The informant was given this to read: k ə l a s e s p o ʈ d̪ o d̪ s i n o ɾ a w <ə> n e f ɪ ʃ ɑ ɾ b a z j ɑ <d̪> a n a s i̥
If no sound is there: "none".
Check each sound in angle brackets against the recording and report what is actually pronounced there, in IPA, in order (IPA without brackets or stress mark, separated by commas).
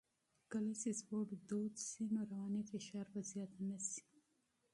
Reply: ɑ, t̪